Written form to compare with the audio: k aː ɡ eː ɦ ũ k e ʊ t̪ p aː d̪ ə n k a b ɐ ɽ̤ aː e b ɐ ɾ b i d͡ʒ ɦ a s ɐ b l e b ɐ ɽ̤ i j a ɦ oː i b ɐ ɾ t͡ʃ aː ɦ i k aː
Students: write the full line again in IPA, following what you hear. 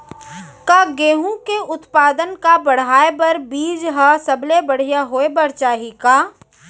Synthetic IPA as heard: k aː ɡ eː ɦ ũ k e ʊ t̪ p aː d̪ ə n k a b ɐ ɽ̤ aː e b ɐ ɾ b iː d͡ʒ ɦ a s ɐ b l e b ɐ ɽ̤ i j a ɦ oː e b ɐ ɾ t͡ʃ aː ɦ i k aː